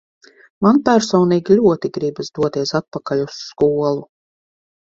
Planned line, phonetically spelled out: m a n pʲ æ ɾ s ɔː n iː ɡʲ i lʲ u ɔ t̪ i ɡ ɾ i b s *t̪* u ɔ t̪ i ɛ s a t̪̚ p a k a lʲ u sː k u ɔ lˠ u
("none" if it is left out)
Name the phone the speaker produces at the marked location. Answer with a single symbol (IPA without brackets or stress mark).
d̪